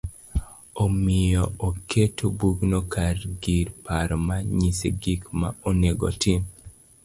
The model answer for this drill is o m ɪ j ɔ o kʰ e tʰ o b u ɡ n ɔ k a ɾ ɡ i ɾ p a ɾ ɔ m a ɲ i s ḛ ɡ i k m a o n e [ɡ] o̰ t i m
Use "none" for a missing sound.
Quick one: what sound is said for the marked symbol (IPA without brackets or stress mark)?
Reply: ɡ